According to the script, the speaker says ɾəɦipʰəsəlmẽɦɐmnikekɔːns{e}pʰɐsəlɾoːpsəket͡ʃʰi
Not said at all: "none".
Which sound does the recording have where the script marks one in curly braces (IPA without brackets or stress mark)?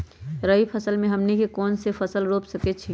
e